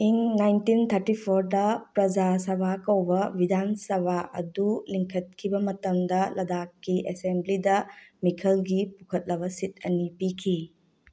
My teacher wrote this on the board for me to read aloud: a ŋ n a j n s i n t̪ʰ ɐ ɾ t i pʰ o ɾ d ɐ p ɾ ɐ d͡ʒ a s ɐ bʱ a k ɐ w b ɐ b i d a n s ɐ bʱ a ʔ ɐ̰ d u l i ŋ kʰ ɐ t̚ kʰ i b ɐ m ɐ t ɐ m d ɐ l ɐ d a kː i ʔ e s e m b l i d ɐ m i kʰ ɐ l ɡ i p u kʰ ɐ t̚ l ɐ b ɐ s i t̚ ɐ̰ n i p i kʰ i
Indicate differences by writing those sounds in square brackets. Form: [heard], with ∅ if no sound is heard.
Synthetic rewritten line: [i] ŋ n a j n [t] i n t̪ʰ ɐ ɾ t i pʰ o ɾ d ɐ p ɾ ɐ d͡ʒ a s ɐ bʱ a k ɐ w b ɐ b i d a n s ɐ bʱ a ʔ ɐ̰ d u l i ŋ kʰ ɐ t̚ kʰ i b ɐ m ɐ t ɐ m d ɐ l ɐ d a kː i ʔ e s e m b l i d ɐ m i kʰ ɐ l ɡ i p u kʰ ɐ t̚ l ɐ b ɐ s i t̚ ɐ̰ n i p i kʰ i